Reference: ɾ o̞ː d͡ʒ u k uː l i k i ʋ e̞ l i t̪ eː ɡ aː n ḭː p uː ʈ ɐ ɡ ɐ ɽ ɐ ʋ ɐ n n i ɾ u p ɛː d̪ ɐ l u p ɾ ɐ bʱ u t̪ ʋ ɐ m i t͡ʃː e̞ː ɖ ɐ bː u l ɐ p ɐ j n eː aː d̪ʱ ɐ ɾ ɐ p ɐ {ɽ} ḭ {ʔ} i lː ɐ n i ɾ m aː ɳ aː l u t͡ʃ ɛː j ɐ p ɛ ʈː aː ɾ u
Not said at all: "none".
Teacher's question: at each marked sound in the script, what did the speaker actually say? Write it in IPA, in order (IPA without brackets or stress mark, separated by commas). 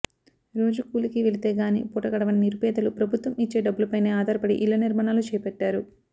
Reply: ɽ, ʔ